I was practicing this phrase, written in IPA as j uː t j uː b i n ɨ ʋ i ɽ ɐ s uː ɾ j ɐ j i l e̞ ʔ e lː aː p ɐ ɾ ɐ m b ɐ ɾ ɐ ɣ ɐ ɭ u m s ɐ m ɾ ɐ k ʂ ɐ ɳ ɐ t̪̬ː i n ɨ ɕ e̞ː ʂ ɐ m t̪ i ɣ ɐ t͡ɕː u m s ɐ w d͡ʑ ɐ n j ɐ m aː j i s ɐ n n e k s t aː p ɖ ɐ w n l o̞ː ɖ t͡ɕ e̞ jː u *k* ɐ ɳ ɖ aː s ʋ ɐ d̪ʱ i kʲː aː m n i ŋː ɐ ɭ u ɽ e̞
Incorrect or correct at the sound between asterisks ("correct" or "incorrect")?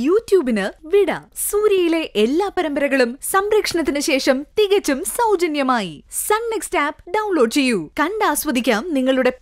correct